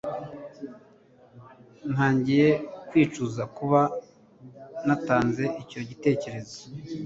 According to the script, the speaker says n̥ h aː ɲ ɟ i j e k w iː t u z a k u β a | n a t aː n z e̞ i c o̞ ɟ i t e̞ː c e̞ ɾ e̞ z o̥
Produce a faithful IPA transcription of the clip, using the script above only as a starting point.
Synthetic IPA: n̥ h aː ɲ ɟ i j e k w iː t͡ʃ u z a k u β a | n a t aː n z e̞ i c o̞ ɟ i t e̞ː c e̞ ɾ e̞ z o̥